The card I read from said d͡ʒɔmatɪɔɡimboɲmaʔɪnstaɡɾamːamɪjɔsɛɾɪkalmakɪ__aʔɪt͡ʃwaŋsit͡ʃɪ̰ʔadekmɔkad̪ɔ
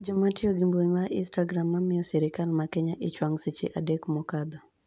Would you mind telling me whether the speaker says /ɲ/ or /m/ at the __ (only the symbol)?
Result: ɲ